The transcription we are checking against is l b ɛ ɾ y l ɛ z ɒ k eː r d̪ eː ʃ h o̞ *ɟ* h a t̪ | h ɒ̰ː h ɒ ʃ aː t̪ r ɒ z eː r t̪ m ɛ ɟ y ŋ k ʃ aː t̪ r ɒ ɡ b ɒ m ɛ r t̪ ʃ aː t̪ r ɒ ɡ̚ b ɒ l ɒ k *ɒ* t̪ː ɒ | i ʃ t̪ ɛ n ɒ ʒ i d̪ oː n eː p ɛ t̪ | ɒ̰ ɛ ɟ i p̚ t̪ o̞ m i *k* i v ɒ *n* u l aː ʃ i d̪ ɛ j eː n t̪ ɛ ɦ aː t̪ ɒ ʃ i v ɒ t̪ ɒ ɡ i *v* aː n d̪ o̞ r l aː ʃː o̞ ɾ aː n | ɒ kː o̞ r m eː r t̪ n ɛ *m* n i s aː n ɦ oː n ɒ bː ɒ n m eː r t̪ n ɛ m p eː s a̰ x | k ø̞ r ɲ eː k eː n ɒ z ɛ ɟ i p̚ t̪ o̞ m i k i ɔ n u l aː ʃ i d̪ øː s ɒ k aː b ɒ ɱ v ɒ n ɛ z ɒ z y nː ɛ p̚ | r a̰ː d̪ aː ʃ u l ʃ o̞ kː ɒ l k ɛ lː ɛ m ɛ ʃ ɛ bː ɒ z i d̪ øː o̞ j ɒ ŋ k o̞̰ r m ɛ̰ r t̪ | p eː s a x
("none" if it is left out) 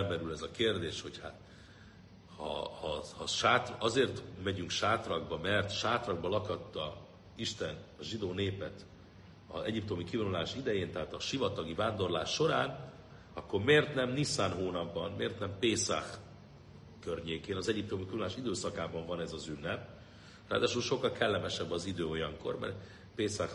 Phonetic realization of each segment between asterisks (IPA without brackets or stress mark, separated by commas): c, ɒ, k, n, v, m